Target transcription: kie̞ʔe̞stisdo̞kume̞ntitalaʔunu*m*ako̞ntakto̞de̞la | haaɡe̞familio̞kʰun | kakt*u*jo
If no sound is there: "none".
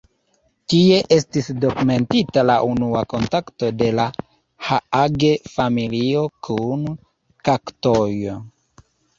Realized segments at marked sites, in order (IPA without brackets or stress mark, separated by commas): none, o